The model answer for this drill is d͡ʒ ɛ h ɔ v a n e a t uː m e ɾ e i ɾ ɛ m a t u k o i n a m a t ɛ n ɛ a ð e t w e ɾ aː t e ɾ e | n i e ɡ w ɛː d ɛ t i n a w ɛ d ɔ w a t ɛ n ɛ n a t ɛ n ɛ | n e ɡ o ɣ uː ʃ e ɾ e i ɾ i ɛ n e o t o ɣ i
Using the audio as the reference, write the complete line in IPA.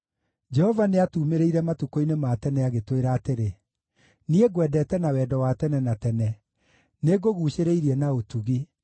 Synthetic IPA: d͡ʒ ɛ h ɔ v a n e a t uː m e ɾ e i ɾ ɛ m a t u k o i n e m a t ɛ n ɛ a ɣ e t w e ɾ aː t e ɾ e | n i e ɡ w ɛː d ɛ t ɛ n a w ɛ d ɔ w a t ɛ n ɛ n a t ɛ n ɛ | n e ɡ o ɣ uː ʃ e ɾ e i ɾ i ɛ n a o t u ɣ i

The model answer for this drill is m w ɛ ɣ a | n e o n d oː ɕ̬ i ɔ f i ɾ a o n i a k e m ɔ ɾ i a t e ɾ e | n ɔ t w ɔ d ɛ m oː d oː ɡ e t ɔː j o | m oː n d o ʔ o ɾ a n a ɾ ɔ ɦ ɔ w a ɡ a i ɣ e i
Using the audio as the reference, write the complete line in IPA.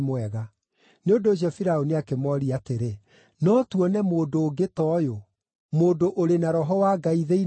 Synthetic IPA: m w ɛ ɣ a | n e o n d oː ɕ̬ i ɔ f i ɾ a o n i a k e m ɔ ɾ i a t e ɾ e | n ɔ t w ɔ n ɛ m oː d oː ɡ e t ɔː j o | m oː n d o ʔ o ɾ e n a ɾ ɔ ɦ ɔ w a ɡ a i ð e i

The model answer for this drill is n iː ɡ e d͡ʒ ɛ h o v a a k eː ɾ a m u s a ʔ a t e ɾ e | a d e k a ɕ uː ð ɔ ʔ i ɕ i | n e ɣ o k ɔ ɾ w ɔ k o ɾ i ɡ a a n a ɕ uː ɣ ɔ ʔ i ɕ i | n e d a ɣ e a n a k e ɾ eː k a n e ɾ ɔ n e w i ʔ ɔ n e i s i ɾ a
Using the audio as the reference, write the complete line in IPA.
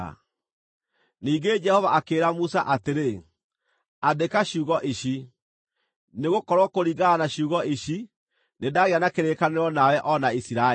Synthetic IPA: n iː ɡ e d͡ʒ ɛ h ɔ v a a k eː ɾ a m u s a ʔ a t e ɾ e | a d e k a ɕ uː ɣ ɔ ʔ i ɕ i | n e ɣ o k ɔ ɾ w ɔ k o ɾ i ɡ a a n a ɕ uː ɣ ɔ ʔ i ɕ i | n e d a ɣ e a n a k e ɾ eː k a n e ɾ ɔ n a w ɛ ʔ ɔ n a i s i ɾ a

